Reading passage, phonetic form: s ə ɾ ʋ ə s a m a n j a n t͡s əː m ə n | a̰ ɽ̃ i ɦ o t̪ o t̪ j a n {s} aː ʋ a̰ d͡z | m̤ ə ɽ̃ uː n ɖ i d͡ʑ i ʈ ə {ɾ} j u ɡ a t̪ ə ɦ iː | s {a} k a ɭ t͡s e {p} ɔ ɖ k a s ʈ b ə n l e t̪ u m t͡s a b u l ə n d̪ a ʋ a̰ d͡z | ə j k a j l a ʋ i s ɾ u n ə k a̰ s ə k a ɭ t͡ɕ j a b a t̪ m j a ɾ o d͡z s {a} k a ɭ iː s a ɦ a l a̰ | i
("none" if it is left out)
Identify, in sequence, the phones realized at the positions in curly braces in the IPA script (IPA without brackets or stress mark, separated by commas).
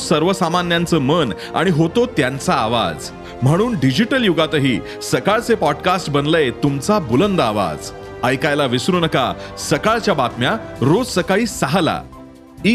t͡s, l, ə, p, ə